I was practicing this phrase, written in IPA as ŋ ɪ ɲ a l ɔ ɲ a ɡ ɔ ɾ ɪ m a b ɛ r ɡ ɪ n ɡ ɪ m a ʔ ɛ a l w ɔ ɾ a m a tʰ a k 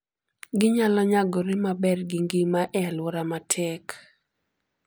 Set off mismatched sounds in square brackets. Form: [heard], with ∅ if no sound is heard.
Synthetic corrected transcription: [ɡ] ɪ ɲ a l ɔ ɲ a ɡ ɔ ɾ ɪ m a b ɛ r ɡ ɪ [ŋ] ɡ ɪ m a ʔ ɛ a l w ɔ ɾ a m a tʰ [ɛ] k